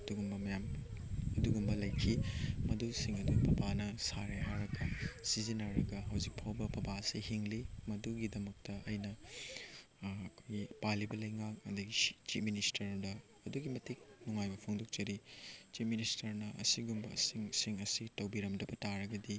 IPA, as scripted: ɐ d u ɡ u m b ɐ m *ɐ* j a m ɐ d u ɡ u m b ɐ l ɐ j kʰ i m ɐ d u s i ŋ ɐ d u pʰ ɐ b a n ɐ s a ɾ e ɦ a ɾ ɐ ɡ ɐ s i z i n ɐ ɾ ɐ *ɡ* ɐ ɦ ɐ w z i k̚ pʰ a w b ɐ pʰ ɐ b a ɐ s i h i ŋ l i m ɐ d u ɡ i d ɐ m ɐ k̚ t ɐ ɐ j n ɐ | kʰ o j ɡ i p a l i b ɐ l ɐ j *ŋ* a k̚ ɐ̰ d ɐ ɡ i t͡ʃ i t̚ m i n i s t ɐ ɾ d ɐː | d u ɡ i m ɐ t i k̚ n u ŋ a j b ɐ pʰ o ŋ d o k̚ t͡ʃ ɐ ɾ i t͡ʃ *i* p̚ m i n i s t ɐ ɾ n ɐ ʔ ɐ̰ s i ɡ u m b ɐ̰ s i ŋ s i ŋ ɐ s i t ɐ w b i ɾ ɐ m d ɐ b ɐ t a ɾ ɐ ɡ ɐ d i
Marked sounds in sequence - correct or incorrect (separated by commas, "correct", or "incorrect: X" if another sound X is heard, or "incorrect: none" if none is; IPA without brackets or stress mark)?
correct, correct, correct, correct